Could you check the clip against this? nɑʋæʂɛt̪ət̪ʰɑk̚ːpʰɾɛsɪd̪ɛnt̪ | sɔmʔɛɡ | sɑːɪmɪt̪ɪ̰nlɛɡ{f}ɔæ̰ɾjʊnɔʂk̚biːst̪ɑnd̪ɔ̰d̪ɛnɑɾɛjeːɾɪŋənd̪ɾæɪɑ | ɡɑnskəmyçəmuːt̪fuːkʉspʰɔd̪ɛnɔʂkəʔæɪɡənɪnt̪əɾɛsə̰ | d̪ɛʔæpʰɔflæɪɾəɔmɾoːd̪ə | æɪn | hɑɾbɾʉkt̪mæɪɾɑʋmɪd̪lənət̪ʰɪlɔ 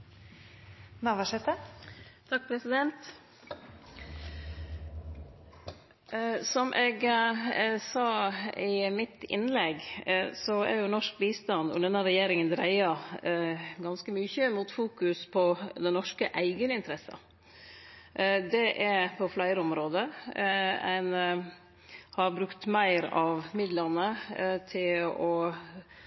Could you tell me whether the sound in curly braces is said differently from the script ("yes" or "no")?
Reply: yes